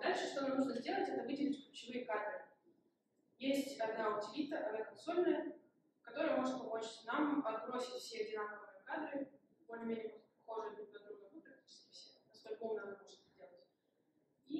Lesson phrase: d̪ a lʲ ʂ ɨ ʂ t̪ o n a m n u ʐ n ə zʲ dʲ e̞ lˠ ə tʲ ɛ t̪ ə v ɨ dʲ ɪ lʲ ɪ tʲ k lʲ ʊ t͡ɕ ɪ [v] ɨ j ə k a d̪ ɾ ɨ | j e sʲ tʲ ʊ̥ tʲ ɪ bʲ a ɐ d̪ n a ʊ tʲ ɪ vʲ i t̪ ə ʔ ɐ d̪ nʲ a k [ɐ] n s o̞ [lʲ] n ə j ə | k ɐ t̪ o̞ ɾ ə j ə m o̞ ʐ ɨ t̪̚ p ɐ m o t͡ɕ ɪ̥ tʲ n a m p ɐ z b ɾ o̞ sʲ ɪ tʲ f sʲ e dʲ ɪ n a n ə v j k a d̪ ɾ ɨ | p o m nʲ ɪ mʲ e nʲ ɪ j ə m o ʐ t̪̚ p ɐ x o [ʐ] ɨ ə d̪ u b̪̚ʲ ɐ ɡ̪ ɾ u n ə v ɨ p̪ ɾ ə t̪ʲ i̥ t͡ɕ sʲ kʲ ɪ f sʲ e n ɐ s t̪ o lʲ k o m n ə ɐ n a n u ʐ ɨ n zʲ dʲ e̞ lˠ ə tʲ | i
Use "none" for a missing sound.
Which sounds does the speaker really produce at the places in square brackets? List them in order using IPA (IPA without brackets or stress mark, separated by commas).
v, ɐ, lʲ, ʐ